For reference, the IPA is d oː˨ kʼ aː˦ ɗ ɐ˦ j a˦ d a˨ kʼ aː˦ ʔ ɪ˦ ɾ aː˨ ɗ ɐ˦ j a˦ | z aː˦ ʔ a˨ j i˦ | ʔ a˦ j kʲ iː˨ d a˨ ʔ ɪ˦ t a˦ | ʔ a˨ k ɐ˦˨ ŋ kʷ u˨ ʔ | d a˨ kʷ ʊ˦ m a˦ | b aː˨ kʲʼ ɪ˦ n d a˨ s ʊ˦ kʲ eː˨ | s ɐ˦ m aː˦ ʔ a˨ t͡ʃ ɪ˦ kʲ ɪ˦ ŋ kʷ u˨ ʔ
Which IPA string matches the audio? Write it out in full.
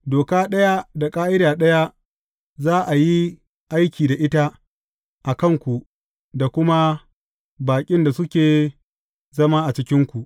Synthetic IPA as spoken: d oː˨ k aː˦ ɗ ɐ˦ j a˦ d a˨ kʼ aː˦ ʔ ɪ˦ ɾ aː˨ ɗ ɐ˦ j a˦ | z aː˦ ʔ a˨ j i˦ | ʔ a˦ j kʲ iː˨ d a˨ ʔ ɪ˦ t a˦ | ʔ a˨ k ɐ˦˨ ŋ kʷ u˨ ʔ | d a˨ kʷ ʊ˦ m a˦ | b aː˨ kʲʼ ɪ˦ n d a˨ s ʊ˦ kʲ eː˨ | z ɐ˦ m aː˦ ʔ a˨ t͡ʃ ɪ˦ kʲ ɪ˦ ŋ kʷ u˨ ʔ

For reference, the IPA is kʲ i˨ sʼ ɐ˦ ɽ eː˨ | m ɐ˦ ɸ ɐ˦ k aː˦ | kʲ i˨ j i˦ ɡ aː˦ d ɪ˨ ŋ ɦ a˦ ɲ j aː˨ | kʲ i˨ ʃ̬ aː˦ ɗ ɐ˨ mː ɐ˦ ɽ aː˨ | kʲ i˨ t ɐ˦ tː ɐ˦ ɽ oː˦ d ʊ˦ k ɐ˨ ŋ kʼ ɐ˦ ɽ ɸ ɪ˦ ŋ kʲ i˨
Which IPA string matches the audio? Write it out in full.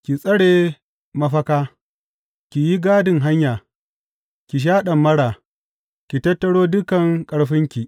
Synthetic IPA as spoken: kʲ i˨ sʼ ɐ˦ ɽ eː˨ | m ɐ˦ ɸ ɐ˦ k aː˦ | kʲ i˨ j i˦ ɡ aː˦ d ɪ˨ ŋ ɦ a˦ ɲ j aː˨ | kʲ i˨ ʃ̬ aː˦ ɗ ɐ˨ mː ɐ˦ ɽ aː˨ | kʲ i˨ t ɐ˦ tː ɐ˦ ɽ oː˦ d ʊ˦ k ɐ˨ ŋ kʼ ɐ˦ ɽ ɸ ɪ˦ ŋ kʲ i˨

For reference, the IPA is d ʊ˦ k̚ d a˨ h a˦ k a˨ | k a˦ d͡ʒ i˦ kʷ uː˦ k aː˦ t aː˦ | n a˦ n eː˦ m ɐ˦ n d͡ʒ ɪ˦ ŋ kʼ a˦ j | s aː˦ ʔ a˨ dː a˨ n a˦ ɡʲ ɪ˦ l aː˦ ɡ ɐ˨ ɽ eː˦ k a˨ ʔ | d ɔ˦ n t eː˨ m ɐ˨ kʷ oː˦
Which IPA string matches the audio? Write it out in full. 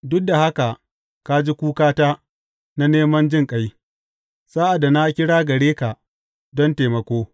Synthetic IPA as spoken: d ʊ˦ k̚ d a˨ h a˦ k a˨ | k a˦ d͡ʒ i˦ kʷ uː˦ k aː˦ t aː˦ | n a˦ n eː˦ m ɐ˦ n d͡ʒ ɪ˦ ŋ kʼ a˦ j | s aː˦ ʔ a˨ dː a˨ n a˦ kʲ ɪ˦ ɽ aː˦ ɡ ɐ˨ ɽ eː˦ k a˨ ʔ | d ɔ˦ n t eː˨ m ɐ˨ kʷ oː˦

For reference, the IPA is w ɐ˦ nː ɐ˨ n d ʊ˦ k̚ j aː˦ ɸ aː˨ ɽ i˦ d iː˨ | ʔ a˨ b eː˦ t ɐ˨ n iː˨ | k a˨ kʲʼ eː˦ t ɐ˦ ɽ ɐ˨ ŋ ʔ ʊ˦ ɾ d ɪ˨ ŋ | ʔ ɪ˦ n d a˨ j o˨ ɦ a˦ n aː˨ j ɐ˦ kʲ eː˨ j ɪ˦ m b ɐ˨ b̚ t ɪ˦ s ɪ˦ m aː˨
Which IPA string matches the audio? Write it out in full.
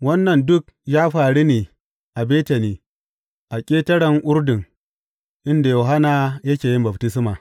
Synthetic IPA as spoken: w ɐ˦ nː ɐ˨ n d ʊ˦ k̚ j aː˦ ɸ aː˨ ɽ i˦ n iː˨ | ʔ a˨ b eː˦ t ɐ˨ n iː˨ | ʔ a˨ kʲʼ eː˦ t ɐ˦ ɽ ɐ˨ ŋ ʔ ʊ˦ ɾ d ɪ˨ ŋ | ʔ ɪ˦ n d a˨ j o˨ ɦ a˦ n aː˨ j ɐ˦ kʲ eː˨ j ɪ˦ m b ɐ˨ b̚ t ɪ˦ s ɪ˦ m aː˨

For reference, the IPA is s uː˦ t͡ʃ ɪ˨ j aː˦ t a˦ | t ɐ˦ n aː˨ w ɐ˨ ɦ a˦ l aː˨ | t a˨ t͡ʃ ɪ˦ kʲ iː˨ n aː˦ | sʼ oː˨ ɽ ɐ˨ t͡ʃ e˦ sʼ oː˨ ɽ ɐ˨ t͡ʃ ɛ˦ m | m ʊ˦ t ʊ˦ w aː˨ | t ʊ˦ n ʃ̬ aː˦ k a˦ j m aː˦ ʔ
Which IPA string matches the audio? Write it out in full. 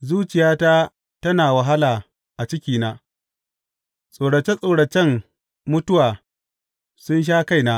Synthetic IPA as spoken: z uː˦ t͡ʃ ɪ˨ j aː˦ t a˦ | t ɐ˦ n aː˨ w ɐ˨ ɦ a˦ l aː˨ | ʔ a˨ t͡ʃ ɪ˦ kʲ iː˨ n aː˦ | sʼ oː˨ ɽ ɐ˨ t͡ʃ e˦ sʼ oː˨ ɽ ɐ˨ t͡ʃ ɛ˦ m | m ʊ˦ t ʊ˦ w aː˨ | s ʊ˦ n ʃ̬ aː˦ k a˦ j n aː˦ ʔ

